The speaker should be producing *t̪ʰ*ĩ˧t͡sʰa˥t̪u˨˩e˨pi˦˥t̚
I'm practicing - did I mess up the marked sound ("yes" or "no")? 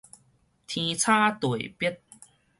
no